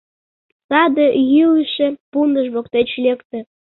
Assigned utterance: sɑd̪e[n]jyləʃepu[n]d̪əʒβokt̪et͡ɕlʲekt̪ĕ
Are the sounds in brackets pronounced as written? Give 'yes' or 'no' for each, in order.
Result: no, yes

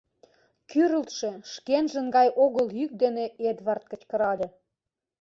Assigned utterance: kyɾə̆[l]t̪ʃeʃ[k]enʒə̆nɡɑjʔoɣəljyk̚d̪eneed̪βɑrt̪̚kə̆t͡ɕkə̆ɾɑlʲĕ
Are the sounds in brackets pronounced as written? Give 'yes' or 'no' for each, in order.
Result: yes, yes

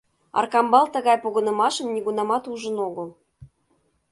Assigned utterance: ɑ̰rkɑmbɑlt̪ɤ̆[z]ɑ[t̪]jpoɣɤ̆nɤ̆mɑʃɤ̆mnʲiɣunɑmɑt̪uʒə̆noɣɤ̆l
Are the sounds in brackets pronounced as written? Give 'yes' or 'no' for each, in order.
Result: no, no

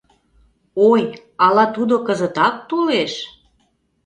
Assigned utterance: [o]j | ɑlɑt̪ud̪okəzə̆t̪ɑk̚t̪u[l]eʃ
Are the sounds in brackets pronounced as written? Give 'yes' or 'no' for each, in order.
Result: yes, yes

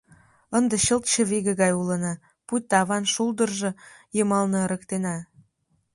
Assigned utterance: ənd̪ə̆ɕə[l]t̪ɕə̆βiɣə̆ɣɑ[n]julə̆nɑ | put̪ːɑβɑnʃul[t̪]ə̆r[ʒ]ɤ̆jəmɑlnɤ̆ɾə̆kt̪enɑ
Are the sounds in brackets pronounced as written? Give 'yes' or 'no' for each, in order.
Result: yes, no, no, yes

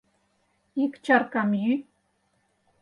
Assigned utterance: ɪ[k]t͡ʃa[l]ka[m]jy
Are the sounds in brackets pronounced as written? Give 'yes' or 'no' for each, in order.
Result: yes, no, yes

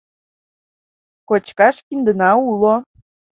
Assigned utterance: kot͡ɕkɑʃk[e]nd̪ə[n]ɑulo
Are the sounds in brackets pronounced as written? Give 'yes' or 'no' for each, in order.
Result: no, yes

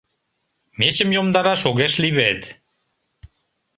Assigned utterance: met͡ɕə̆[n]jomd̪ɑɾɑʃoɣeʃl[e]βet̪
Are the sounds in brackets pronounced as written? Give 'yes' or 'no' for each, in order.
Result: no, no

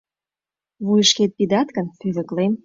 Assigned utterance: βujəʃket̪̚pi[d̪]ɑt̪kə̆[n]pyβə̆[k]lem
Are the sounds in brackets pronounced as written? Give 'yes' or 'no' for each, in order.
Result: yes, yes, yes

